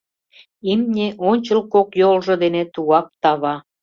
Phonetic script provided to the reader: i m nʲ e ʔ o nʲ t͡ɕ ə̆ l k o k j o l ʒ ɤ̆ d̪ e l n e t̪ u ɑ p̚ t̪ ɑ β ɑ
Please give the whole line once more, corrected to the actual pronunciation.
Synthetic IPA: i m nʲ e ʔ o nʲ t͡ɕ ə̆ l k o k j o l ʒ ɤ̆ d̪ e n e t̪ u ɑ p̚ t̪ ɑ β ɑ